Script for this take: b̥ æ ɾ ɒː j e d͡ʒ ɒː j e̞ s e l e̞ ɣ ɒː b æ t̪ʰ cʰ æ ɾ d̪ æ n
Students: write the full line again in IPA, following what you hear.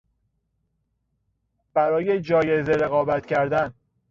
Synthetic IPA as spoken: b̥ æ ɾ ɒː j e d͡ʒ ɒː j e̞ z e ɾ e̞ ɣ ɒː b æ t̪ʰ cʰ æ ɾ d̪ æ n